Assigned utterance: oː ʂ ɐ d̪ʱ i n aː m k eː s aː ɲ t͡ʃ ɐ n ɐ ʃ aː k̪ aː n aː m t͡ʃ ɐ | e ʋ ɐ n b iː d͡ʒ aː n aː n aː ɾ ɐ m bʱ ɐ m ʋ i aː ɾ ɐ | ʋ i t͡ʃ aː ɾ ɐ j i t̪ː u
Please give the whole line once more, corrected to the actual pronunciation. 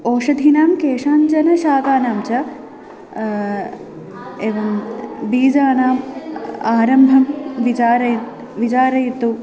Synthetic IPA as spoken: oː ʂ ɐ d̪ʱ i n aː m k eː ʂ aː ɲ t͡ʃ ɐ n ɐ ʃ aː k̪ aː n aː m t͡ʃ ɐ | e ʋ ɐ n b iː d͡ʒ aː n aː m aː ɾ ɐ m bʱ ɐ m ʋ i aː ɾ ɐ | ʋ i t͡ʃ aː ɾ ɐ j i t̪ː u